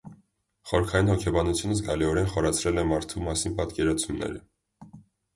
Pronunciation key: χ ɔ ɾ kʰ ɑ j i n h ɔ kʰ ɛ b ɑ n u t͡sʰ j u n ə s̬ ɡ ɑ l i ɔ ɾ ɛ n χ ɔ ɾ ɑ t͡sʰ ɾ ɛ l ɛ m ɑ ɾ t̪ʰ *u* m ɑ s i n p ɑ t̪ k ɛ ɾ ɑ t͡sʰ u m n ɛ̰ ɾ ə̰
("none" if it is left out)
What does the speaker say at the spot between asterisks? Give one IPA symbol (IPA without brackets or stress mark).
u